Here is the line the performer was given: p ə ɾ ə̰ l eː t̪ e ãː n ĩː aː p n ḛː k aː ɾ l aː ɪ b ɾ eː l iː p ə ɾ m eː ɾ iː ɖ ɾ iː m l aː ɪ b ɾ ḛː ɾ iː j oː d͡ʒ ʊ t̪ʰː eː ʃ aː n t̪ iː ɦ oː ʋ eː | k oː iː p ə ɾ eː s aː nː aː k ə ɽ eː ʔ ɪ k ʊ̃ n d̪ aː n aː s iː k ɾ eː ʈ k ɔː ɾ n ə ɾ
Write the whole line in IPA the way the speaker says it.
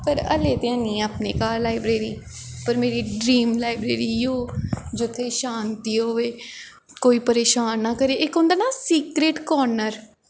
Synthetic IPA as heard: p ə ɾ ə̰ l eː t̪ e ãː n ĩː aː p n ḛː k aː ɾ l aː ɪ b ɾ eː ɾ iː p ə ɾ m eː ɾ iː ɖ ɾ iː m l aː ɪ b ɾ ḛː ɾ iː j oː d͡ʒ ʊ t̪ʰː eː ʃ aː n t̪ iː ɦ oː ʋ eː | k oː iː p ə ɾ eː ʃ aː nː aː k ə ɾ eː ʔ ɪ k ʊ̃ n d̪ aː n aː s iː k ɾ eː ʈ k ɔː ɾ n ə ɾ